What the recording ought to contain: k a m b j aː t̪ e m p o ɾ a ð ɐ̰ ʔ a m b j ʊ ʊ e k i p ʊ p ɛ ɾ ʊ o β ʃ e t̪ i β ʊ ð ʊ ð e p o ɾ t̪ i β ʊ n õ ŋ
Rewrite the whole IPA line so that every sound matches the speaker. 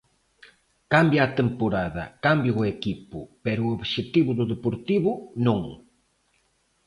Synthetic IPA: k a m b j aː t̪ e m p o ɾ a ð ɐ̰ k a m b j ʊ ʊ e k i p ʊ p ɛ ɾ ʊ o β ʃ e t̪ i β ʊ ð ʊ ð e p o ɾ t̪ i β ʊ n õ ŋ